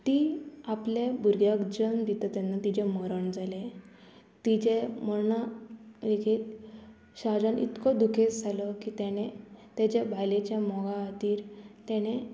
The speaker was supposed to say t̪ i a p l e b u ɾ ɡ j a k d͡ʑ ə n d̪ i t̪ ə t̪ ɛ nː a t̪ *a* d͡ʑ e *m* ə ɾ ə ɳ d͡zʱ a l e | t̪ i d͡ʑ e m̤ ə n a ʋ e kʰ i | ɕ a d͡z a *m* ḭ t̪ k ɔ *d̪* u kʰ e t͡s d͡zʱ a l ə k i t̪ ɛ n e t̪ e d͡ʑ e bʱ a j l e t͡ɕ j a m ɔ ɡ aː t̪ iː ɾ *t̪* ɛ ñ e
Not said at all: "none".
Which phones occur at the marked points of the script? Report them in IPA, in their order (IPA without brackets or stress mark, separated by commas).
i, m, n, d̪, t̪